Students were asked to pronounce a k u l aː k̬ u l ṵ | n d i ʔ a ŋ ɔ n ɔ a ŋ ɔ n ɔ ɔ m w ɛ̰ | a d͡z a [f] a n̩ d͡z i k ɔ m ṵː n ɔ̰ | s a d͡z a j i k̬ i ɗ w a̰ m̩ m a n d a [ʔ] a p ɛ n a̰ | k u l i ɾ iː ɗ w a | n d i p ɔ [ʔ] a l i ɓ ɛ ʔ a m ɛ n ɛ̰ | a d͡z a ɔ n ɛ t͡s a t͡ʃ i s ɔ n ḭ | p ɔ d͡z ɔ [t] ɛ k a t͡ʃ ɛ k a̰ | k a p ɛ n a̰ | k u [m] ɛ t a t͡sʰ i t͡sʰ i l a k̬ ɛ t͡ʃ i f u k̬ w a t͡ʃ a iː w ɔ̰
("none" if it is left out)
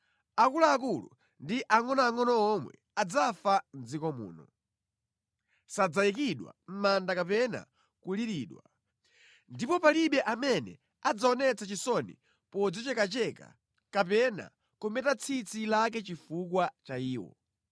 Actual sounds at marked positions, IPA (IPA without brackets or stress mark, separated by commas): f, k, p, t͡ʃ, m